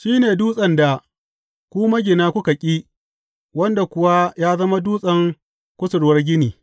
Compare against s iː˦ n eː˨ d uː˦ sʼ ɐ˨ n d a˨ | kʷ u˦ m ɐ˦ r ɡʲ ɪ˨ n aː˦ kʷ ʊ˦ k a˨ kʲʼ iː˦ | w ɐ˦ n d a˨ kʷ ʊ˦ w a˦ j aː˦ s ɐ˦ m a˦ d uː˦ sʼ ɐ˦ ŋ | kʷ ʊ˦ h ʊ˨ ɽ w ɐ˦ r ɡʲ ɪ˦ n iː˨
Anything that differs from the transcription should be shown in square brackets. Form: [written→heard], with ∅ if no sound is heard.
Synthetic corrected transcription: [s→ʃ] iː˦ n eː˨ d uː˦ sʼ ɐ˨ n d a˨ | kʷ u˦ m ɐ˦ [r→∅] ɡʲ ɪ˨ n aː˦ kʷ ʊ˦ k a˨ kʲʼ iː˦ | w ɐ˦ n d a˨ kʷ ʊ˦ w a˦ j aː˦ [s→z] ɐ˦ m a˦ d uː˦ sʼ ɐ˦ ŋ | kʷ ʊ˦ [h→s] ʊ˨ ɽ w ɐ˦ r ɡʲ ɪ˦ n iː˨